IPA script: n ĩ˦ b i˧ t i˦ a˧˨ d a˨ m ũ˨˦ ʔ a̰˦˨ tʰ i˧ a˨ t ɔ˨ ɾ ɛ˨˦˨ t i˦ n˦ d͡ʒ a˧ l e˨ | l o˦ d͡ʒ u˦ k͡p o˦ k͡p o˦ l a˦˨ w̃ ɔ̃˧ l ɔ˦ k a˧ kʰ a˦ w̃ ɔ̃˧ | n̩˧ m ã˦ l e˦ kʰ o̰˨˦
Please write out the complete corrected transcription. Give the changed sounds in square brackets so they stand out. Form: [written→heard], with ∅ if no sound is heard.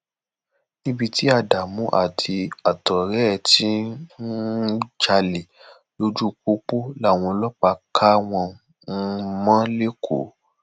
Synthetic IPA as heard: n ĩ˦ b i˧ t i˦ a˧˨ d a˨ m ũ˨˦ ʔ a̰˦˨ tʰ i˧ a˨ t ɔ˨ ɾ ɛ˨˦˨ t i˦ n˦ d͡ʒ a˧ l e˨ | l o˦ d͡ʒ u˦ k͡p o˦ k͡p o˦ l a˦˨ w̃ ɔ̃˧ l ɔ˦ [k→k͡p] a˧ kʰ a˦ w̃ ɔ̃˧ | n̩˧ m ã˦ l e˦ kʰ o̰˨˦

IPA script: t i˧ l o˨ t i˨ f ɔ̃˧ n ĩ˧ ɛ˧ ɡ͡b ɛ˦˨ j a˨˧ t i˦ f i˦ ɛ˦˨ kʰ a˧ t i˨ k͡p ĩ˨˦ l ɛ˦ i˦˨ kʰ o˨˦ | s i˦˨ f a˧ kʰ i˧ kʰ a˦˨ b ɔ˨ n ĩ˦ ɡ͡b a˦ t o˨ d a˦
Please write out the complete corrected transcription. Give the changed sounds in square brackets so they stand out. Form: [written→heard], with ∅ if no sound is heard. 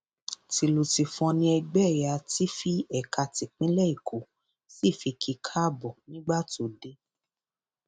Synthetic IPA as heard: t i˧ l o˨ t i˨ f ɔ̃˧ n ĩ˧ ɛ˧ ɡ͡b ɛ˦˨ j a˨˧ t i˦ f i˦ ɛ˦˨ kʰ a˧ t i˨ k͡p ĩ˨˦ l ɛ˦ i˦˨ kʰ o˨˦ | s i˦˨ f [a˧→i˧] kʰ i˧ kʰ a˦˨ b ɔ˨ n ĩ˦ ɡ͡b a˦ t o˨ d [a˦→e˦]

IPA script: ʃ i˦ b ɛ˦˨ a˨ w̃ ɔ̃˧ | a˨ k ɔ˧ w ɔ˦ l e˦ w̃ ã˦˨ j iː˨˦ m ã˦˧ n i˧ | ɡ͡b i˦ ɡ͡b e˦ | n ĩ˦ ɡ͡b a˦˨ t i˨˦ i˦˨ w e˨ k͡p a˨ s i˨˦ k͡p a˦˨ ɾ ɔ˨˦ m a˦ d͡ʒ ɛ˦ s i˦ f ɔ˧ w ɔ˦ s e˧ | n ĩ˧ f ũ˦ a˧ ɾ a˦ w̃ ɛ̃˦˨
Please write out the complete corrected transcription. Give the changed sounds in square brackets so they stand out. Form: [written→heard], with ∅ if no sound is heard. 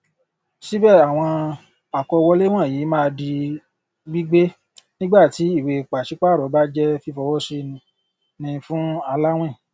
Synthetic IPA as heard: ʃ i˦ b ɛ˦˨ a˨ w̃ ɔ̃˧ | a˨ k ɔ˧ w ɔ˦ l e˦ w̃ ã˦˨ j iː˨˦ m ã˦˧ [n→d] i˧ | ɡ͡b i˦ ɡ͡b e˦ | n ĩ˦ ɡ͡b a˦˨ t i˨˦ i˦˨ w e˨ k͡p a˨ [s→ʃ] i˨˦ k͡p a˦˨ ɾ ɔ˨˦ [m→b] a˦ d͡ʒ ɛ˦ [s→f] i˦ f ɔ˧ w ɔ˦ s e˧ | n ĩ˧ f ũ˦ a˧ [ɾ→l] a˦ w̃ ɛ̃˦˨

